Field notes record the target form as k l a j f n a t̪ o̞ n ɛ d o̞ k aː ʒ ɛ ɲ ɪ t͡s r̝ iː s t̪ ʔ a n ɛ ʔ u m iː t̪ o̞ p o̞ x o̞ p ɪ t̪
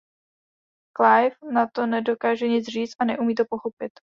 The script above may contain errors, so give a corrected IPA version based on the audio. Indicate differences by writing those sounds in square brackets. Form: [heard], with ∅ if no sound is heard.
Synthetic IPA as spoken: k l a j f n a t̪ o̞ n ɛ d o̞ k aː ʒ ɛ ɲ ɪ t͡s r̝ iː [t͡s] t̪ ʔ a n ɛ ʔ u m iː t̪ o̞ p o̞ x o̞ p ɪ t̪